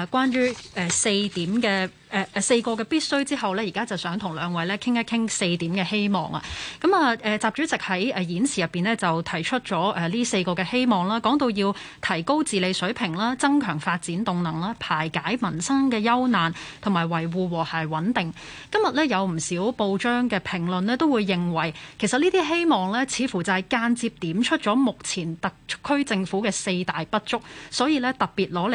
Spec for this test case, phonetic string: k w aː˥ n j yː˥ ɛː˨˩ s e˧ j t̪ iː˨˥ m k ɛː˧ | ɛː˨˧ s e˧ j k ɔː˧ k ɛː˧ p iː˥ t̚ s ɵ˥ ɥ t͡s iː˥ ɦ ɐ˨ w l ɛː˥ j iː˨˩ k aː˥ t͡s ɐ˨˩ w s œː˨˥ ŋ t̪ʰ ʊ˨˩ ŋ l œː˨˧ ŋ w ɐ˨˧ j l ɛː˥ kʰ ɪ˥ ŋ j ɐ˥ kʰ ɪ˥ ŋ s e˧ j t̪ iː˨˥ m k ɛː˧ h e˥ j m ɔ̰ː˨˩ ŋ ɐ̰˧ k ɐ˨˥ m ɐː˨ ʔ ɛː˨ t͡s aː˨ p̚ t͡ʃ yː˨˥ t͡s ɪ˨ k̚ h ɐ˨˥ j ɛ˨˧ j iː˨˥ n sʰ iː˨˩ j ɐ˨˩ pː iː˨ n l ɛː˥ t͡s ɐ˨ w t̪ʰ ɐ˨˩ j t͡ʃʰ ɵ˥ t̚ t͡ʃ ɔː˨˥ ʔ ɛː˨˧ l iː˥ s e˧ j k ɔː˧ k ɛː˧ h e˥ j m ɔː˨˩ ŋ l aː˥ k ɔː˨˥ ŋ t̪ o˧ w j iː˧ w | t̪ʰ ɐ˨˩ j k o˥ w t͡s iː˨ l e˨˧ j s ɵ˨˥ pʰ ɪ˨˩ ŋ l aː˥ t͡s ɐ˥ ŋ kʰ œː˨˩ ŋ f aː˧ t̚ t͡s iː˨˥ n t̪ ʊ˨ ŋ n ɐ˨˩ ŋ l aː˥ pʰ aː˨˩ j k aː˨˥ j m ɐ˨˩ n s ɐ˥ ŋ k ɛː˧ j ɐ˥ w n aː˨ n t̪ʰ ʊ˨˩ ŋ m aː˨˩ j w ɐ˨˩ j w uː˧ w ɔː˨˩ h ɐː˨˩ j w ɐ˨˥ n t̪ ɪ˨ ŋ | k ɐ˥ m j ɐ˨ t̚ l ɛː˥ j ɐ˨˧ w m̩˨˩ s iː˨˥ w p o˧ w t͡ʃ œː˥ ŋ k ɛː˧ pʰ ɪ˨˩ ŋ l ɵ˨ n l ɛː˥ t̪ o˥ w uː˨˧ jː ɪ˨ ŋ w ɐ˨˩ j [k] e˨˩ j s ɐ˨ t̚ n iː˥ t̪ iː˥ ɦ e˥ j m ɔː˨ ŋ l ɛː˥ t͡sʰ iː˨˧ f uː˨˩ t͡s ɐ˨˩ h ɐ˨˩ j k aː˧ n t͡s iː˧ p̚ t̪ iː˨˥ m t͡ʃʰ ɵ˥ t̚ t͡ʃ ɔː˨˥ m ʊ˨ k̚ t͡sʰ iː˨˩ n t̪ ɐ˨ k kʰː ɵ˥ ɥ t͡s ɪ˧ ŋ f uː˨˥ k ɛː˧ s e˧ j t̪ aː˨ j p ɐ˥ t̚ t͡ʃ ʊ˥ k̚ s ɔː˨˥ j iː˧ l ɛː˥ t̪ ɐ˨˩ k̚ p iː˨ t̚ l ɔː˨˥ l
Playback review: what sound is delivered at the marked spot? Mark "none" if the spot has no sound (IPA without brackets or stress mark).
kʰ